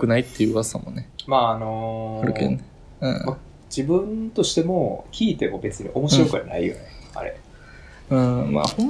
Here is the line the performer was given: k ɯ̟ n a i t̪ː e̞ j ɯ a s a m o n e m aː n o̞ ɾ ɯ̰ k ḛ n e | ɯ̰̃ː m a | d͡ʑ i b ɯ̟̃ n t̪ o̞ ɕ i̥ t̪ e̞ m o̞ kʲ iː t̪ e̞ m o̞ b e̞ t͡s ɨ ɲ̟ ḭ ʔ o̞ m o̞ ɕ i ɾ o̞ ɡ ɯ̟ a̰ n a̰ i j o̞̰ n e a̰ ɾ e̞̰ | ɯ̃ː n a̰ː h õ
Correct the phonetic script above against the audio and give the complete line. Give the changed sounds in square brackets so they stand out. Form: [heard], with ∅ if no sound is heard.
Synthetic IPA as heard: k ɯ̟ n a i t̪ː e̞ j ɯ a s a m o n e m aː n o̞ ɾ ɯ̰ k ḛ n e | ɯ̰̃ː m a | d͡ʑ i b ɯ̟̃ n t̪ o̞ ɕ i̥ t̪ e̞ m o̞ kʲ iː t̪ e̞ m o̞ b e̞ t͡s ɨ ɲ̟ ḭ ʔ o̞ m o̞ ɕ i ɾ o̞ [k] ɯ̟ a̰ n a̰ i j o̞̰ n e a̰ ɾ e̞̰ | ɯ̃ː [m] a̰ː h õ